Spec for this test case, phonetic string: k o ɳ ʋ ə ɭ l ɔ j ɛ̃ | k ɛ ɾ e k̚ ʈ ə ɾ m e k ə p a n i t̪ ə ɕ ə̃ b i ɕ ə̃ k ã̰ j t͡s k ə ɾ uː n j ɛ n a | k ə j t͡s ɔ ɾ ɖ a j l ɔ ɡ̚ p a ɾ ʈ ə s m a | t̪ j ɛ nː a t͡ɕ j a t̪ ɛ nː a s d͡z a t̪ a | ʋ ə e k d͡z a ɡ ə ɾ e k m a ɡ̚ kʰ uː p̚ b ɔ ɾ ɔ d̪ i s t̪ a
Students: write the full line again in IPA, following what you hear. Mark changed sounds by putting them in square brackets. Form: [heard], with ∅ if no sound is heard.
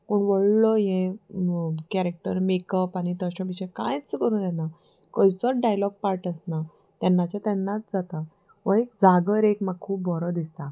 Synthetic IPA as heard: k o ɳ ʋ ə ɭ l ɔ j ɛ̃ | k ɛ ɾ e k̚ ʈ ə ɾ m e k ə p a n i t̪ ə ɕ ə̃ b i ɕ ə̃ k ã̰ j t͡s k ə ɾ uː n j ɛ n a | k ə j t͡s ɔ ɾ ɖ a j l ɔ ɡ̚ p a ɾ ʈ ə s [n] a | t̪ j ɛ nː a t͡ɕ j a t̪ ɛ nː a [t͡s] d͡z a t̪ a | ʋ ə e k d͡z a ɡ ə ɾ e k m a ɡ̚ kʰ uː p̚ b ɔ ɾ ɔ d̪ i s t̪ a

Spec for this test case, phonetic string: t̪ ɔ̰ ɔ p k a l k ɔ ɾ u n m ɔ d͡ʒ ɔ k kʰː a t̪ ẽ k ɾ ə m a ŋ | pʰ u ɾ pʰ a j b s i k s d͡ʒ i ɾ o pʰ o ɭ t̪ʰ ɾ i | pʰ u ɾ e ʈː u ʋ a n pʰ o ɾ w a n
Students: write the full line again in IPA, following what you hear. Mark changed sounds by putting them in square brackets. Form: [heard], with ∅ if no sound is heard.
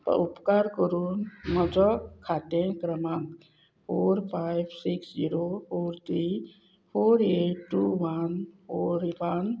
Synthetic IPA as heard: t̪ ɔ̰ [u] p k a [ɾ] k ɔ ɾ u n m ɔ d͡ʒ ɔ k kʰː a t̪ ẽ k ɾ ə m a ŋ | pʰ [o] ɾ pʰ a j b s i k s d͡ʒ i ɾ o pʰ o [ɾ] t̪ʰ ɾ i | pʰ [o] ɾ e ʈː u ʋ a n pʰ o ɾ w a n

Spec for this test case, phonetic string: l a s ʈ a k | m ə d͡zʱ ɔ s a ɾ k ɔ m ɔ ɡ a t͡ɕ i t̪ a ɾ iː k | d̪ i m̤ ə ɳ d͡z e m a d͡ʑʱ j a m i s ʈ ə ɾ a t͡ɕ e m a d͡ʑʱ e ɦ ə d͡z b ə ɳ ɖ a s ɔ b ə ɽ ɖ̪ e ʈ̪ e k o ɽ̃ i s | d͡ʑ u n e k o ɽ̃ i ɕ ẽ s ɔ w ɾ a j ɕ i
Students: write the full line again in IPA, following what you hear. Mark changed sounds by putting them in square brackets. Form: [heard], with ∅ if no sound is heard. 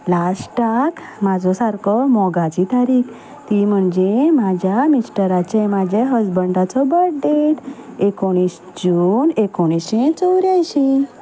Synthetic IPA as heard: l a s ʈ a k | m [a] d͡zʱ ɔ s a ɾ k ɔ m ɔ ɡ a t͡ɕ i t̪ a ɾ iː k | [t̪] i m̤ ə ɳ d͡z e m a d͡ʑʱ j a m i s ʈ ə ɾ a t͡ɕ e m a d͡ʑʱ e ɦ ə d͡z b ə ɳ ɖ a [t͡s] ɔ b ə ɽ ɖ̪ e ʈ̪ e k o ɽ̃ i s | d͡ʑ u n e k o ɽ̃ i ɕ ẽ [t͡s] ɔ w ɾ a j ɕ i

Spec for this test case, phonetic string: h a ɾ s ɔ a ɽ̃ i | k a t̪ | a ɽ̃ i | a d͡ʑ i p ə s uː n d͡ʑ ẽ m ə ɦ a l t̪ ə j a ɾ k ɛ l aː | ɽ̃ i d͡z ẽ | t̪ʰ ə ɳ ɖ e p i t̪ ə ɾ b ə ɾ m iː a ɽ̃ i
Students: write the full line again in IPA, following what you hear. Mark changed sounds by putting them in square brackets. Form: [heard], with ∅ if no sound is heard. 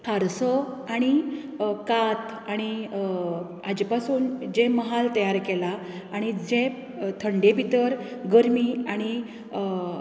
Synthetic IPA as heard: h a ɾ s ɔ a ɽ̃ i | k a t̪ | a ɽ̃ i | a d͡ʑ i p [a] s uː n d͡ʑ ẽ m ə ɦ a l t̪ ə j a ɾ k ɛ l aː | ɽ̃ i d͡z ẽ | t̪ʰ ə ɳ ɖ e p i t̪ ə ɾ [ɡ] ə ɾ m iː a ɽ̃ i

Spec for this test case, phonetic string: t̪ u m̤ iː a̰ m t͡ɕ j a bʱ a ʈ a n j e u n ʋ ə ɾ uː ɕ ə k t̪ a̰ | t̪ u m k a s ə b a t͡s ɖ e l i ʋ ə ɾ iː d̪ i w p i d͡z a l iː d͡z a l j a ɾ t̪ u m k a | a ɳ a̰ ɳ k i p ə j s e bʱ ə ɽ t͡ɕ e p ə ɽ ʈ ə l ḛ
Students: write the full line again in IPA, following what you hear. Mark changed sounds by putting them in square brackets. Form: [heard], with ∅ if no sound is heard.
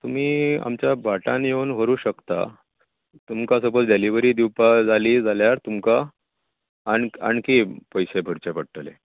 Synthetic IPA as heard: t̪ u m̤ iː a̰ m t͡ɕ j a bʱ a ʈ a n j e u n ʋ ə ɾ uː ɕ ə k t̪ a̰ | t̪ u m k a s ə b [ə] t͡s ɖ e l i ʋ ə ɾ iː d̪ i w p [a] d͡z a l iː d͡z a l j a ɾ t̪ u m k a | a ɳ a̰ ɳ k i p ə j s e bʱ ə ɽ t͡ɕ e p ə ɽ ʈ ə l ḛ

